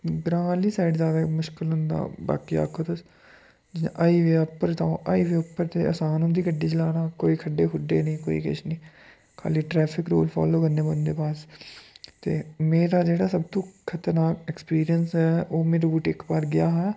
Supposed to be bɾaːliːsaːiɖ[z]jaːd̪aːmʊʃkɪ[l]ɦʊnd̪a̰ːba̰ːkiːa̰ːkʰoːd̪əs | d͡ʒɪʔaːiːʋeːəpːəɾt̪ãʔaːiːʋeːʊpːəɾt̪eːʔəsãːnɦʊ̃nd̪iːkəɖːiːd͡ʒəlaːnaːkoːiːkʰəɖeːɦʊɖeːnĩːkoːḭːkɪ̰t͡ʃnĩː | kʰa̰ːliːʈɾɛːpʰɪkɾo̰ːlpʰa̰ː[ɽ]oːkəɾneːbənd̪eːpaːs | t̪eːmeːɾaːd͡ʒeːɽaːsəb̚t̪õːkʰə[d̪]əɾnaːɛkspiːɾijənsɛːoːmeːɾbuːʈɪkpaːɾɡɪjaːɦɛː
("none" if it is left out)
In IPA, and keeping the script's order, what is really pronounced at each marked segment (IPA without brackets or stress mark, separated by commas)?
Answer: z, l, l, t̪